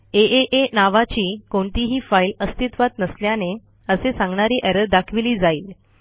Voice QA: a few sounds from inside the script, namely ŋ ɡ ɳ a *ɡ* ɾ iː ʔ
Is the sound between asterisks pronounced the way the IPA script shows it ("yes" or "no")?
no